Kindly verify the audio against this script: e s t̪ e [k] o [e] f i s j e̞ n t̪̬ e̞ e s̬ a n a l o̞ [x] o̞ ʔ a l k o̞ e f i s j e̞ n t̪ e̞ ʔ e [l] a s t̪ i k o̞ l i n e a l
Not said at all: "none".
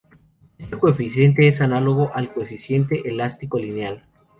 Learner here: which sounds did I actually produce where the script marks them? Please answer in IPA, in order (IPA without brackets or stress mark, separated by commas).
k, e, ɣ, l